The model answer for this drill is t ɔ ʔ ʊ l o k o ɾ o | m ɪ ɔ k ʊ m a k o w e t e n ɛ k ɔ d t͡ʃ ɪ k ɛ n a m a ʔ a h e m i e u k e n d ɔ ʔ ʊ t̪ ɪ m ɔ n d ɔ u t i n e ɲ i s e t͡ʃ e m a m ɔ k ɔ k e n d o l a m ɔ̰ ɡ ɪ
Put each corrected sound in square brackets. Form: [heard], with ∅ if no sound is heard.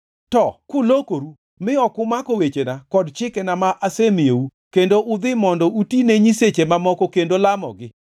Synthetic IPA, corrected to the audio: t ɔ [k] ʊ l o k o ɾ [u] | m ɪ ɔ k ʊ m a k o w e [t͡ʃ] e n [a] k ɔ d t͡ʃ ɪ k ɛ n a m a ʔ a [s] e m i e u k e n d [o] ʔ ʊ [d̪] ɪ m ɔ n d ɔ u t i n e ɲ i s e t͡ʃ e m a m ɔ k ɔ k e n d o l a m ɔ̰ ɡ ɪ